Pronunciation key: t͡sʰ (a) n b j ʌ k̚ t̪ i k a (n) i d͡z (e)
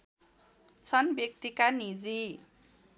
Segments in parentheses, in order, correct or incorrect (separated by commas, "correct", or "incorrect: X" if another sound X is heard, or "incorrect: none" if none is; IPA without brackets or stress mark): incorrect: ʌ, correct, incorrect: i